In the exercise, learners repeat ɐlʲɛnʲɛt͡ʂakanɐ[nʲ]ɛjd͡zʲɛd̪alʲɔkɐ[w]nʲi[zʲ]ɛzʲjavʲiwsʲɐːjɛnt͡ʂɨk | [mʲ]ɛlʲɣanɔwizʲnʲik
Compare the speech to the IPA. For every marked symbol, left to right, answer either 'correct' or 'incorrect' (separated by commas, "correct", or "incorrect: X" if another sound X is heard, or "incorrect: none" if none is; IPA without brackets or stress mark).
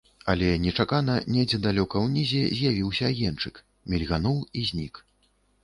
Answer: correct, correct, correct, correct